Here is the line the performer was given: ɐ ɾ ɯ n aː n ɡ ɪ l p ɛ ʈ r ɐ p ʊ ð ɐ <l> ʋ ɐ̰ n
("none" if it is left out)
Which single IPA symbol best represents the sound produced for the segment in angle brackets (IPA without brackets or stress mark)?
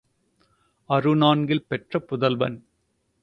l